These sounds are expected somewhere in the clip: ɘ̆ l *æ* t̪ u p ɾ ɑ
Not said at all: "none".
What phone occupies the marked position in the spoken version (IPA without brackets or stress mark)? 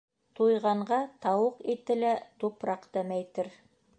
æ